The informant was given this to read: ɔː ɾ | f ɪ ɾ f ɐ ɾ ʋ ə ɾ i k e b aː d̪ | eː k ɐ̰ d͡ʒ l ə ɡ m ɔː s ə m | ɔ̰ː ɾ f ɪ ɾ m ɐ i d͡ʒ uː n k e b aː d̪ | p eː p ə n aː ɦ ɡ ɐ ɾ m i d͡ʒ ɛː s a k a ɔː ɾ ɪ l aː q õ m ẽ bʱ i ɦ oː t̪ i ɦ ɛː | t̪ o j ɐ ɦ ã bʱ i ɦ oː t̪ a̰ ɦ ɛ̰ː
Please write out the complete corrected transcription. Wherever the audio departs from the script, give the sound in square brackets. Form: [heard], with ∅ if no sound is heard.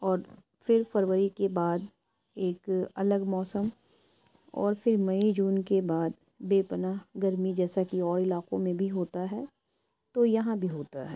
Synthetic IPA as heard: ɔː ɾ | f ɪ ɾ f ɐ ɾ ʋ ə ɾ i k e b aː d̪ | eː k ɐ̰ [∅] l ə ɡ m ɔː s ə m | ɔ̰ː ɾ f ɪ ɾ m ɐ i d͡ʒ uː n k e b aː d̪ | [b] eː p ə n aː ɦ ɡ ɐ ɾ m i d͡ʒ ɛː s a k [i] ɔː ɾ ɪ l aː q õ m ẽ bʱ i ɦ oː t̪ [a] ɦ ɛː | t̪ o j ɐ ɦ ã bʱ i ɦ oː t̪ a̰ ɦ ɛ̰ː

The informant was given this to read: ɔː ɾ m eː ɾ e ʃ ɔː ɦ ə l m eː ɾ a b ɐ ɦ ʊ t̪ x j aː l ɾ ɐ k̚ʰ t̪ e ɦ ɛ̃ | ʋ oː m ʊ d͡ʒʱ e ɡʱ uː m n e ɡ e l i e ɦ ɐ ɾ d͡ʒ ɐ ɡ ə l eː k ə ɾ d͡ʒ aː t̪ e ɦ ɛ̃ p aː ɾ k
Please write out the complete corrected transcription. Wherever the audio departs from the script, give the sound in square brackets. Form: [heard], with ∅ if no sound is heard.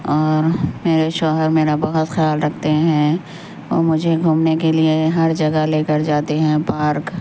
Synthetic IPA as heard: ɔː ɾ m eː ɾ e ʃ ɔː ɦ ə [ɾ] m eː ɾ a b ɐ ɦ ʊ t̪ x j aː l ɾ ɐ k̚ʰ t̪ e ɦ ɛ̃ | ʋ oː m ʊ d͡ʒʱ e ɡʱ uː m n e [k] e l i e ɦ ɐ ɾ d͡ʒ ɐ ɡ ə l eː k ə ɾ d͡ʒ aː t̪ e ɦ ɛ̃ p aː ɾ k

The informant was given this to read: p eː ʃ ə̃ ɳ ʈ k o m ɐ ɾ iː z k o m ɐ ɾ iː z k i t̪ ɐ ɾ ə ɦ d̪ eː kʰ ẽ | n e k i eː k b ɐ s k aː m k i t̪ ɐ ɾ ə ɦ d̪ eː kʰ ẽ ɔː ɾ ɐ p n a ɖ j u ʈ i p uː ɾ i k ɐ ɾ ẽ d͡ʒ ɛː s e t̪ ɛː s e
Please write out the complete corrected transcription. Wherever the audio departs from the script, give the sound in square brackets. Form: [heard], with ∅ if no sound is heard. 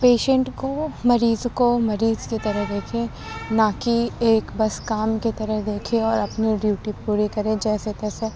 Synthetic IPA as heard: p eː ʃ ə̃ ɳ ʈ k o m ɐ ɾ iː z k o m ɐ ɾ iː z k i t̪ ɐ ɾ ə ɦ d̪ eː kʰ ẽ | n [a] k i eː k b ɐ s k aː m k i t̪ ɐ ɾ ə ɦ d̪ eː kʰ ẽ ɔː ɾ ɐ p n [i] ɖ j [uː] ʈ i p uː ɾ i k ɐ ɾ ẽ d͡ʒ ɛː s e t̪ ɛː s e

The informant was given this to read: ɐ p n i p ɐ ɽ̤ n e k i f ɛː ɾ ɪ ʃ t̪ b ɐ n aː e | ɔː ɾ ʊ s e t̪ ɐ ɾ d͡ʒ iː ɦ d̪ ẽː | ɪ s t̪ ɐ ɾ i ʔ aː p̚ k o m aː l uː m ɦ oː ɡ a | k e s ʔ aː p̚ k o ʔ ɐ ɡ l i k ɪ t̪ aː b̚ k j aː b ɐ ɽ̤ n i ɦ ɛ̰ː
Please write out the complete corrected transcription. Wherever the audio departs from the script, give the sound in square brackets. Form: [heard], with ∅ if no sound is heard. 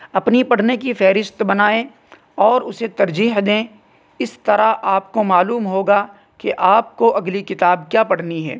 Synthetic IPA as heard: ɐ p n i p ɐ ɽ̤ n e k i f ɛː ɾ ɪ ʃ t̪ b ɐ n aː e | ɔː ɾ ʊ s e t̪ ɐ ɾ d͡ʒ iː ɦ d̪ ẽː | ɪ s t̪ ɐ ɾ [a] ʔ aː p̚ k o m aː l uː m ɦ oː ɡ a | k e [∅] ʔ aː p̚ k o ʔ ɐ ɡ l i k ɪ t̪ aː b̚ k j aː [p] ɐ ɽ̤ n i ɦ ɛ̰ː

